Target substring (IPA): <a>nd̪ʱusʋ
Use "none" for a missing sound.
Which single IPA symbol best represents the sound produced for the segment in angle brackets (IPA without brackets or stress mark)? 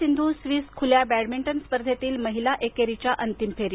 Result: i